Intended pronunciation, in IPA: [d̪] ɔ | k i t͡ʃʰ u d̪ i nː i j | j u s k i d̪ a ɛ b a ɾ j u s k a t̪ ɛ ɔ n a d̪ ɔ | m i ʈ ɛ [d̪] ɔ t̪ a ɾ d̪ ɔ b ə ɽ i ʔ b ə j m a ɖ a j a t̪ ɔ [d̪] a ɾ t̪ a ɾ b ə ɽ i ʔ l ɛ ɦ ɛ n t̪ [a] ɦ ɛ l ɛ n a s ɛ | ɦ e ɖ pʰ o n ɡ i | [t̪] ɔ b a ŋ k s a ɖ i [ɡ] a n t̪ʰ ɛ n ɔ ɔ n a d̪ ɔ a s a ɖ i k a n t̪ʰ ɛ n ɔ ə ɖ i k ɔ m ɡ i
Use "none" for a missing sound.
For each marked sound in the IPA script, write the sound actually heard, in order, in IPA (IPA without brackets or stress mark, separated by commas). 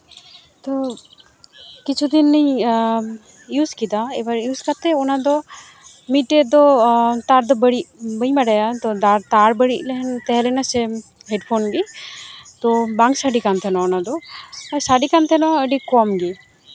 t̪, d̪, d̪, ɛ, t̪, k